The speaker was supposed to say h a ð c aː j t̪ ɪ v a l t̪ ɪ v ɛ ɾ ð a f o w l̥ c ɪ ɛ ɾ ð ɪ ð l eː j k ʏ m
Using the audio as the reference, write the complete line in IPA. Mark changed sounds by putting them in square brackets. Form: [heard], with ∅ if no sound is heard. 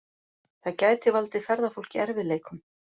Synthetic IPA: [θ] a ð c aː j t̪ ɪ v a l t̪ ɪ [f] ɛ ɾ ð a f o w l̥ c ɪ ɛ ɾ [v] ɪ ð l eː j k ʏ m